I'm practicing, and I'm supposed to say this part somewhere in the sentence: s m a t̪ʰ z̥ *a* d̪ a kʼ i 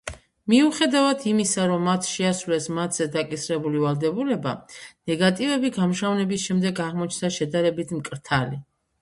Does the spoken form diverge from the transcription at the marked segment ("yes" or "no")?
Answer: yes